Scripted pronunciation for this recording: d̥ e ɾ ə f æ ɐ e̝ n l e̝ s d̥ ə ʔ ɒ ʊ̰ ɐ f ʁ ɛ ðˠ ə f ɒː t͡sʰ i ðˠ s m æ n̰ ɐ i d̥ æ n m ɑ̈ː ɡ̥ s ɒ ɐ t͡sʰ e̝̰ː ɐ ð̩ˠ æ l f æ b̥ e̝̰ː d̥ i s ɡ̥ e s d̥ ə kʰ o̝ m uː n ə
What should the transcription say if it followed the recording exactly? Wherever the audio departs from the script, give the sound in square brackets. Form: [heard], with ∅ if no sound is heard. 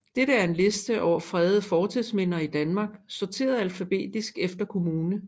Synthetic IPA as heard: d̥ e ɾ ə [∅] æ ɐ e̝ n l e̝ s d̥ ə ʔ ɒ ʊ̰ ɐ f ʁ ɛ ðˠ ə f ɒː t͡sʰ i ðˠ s m [e] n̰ ɐ i d̥ æ n m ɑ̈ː ɡ̥ s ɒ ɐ t͡sʰ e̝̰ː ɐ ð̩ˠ æ l f æ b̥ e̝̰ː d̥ i s ɡ̥ e [f] d̥ [ɐ] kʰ o̝ m uː n ə